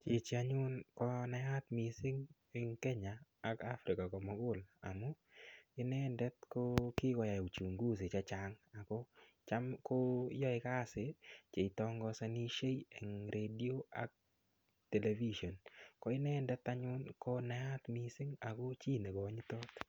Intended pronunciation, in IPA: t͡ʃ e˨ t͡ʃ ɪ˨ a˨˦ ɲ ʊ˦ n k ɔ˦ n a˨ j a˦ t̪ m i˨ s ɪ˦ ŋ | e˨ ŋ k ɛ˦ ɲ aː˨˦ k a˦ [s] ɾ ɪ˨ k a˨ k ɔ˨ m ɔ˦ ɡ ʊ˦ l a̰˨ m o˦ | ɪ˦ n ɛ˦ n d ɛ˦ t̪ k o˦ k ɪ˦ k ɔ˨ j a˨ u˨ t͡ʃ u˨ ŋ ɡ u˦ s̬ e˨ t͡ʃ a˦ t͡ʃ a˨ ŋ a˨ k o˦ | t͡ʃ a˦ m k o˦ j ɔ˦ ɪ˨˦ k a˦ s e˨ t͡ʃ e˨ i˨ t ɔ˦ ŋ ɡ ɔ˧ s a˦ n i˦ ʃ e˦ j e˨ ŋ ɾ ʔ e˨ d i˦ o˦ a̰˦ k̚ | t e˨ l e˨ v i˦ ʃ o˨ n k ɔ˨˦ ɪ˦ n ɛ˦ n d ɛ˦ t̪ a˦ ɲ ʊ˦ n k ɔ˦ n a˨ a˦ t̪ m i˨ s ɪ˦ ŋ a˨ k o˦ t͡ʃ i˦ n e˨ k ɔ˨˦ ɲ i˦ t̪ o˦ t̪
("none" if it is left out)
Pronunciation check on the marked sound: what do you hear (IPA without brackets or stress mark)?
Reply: f